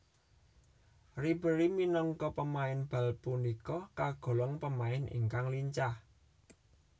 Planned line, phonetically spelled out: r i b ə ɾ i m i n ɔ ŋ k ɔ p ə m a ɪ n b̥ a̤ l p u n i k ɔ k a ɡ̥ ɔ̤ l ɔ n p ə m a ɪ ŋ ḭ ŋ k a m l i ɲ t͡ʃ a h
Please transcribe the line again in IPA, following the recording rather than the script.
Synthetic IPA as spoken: r i b ə ɾ i m i n ɔ ŋ k ɔ p ə m a ɪ n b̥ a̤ l p u n i k ɔ k a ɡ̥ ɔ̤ l ɔ ŋ p ə m a ɪ n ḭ ŋ k a ŋ l i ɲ t͡ʃ a h

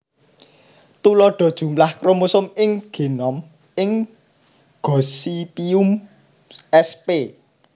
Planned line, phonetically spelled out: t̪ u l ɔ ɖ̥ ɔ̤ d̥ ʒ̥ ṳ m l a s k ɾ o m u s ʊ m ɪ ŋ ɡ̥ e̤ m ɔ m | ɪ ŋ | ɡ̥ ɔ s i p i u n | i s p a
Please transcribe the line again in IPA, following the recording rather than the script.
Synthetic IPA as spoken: t̪ u l ɔ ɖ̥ ɔ̤ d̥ ʒ̥ ṳ m l a h k ɾ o m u s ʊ m ɪ ŋ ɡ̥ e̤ n ɔ m | ɪ ŋ | ɡ̥ ɔ s i p i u m | ɛ s p e

